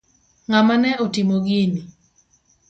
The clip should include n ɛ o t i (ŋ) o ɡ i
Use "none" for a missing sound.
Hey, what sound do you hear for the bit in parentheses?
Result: m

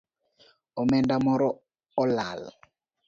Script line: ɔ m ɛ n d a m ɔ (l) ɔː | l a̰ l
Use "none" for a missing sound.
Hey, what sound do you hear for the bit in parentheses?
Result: ɾ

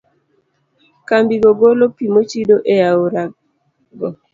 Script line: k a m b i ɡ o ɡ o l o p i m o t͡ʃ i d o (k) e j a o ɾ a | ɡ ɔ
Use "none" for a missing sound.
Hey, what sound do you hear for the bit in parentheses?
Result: ʔ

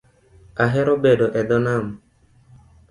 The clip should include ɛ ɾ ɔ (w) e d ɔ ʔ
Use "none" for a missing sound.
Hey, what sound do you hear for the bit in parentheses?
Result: b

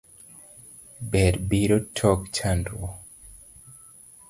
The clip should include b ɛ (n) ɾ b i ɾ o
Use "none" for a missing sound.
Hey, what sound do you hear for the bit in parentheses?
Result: none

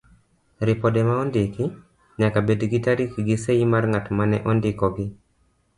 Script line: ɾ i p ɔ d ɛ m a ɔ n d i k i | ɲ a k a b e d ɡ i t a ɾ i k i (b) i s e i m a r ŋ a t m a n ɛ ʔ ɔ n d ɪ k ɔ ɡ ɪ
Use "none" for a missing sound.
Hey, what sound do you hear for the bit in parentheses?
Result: ɡ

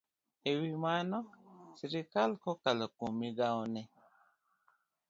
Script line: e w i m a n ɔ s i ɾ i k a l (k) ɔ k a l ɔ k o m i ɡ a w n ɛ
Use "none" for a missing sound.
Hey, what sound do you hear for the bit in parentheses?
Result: k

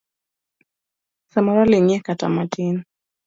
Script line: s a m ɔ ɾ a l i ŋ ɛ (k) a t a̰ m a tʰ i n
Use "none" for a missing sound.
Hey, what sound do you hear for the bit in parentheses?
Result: k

